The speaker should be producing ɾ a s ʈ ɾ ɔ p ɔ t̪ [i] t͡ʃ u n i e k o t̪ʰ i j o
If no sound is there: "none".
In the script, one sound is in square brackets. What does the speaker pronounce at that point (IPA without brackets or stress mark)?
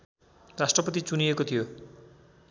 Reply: i